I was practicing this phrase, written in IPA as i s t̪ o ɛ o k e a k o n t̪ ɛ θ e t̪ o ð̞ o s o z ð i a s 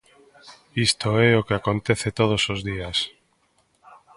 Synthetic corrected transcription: i s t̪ o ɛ o k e a k o n t̪ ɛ θ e t̪ o ð̞ o s o z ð i a s